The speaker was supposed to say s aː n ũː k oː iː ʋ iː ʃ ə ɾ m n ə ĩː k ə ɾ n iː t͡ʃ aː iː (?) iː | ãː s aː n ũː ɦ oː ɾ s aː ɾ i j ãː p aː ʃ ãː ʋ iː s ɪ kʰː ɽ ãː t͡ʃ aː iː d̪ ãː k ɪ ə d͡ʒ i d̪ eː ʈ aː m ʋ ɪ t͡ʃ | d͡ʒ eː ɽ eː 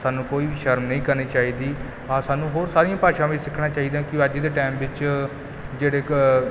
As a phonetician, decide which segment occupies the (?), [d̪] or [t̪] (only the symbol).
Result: d̪